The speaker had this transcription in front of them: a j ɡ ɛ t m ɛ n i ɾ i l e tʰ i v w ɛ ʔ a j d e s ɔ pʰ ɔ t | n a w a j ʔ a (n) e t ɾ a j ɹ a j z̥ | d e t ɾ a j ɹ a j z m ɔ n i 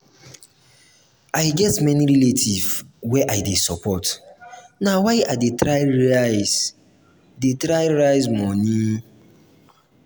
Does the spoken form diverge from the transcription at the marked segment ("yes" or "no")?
yes